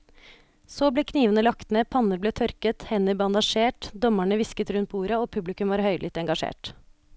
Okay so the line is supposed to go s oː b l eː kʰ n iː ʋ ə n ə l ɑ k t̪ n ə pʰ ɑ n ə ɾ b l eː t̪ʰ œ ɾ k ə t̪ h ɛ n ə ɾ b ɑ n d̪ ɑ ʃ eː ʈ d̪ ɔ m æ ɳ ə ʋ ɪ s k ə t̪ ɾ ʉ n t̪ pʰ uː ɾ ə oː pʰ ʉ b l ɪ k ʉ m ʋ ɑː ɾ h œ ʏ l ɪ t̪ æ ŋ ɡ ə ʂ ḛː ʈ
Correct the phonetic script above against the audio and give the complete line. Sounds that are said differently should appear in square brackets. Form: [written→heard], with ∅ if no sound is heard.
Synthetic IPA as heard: s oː b l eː kʰ n iː ʋ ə n ə l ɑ k t̪ n ə pʰ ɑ n ə ɾ b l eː t̪ʰ œ ɾ k ə t̪ h ɛ n ə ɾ b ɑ n d̪ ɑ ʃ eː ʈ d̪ ɔ m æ ɳ ə ʋ ɪ s k ə t̪ ɾ ʉ n t̪ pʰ uː ɾ ə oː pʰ ʉ b l ɪ k ʉ m ʋ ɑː ɾ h œ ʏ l ɪ t̪ [æ→ɛ] ŋ ɡ [ə→ɑ] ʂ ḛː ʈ